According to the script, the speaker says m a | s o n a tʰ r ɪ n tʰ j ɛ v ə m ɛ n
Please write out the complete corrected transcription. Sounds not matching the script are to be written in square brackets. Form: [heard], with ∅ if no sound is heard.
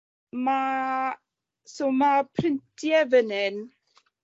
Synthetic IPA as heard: m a | s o [m] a [pʰ] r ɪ n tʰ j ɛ v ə [n] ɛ n

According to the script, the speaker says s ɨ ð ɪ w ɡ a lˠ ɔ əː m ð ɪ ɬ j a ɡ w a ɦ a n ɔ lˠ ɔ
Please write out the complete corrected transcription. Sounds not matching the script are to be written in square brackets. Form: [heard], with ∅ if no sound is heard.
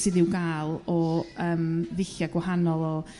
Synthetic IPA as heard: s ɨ ð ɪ w ɡ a lˠ ɔ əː m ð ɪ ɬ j a ɡ w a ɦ a n ɔ lˠ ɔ

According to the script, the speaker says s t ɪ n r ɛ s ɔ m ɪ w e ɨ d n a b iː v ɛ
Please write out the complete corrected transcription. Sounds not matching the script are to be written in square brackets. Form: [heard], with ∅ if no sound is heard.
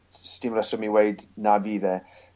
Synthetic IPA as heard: s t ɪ [m] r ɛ s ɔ m [i] w e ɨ d n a [v] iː [ð] ɛ

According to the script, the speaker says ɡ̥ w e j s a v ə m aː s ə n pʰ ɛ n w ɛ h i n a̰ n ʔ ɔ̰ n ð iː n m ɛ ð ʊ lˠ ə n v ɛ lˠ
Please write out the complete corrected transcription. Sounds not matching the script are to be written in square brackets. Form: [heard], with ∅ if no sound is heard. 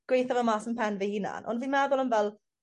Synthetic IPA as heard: ɡ̥ w e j [θ] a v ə m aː s ə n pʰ ɛ n [v] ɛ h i n a̰ n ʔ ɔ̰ n [v] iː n m ɛ ð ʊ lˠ ə n v ɛ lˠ

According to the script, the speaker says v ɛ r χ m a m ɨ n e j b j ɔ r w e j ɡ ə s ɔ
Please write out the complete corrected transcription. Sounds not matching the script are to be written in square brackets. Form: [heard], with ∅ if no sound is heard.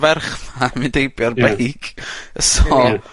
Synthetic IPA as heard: v ɛ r χ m a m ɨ [d] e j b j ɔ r [b] e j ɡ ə s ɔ

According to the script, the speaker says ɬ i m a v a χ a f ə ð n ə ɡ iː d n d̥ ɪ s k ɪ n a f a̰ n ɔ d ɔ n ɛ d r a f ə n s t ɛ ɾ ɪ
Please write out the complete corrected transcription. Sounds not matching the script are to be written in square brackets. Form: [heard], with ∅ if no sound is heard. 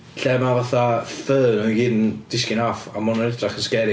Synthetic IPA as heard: ɬ [ɛ] m a v a [θ] a f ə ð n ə ɡ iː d n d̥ ɪ s k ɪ n a f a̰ [m] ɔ [n] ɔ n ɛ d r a [χ] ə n s [k] ɛ ɾ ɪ

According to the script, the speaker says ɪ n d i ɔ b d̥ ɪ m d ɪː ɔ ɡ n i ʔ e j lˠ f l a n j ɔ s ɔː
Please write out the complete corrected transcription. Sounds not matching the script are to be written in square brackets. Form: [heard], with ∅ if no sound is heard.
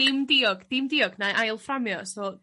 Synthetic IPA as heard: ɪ [m] d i ɔ [ɡ] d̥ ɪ m d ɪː ɔ ɡ n [a] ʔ [a] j lˠ f [r] a [m] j ɔ s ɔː

